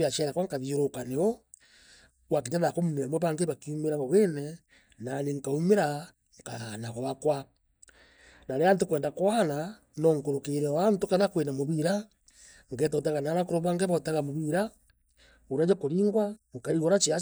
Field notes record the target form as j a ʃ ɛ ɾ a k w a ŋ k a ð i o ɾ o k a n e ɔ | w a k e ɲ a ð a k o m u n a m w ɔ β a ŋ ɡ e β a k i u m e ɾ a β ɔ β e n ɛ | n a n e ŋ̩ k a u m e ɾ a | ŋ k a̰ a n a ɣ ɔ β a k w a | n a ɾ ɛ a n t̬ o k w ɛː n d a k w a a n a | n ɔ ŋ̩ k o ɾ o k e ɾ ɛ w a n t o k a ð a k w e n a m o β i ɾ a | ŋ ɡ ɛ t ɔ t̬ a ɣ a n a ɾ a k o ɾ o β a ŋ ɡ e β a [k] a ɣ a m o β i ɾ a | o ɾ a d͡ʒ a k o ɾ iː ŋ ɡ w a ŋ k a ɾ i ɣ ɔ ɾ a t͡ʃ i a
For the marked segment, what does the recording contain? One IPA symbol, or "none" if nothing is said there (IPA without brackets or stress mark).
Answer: t